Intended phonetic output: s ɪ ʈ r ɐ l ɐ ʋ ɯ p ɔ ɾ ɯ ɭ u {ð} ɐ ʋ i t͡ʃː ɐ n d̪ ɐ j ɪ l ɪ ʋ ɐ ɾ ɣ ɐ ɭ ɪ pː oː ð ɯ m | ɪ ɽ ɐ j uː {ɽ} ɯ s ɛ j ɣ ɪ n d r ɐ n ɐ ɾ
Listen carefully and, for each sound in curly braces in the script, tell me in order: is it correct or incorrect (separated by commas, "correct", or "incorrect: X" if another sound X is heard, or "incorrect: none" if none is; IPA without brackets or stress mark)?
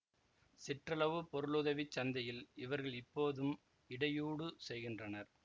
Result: correct, correct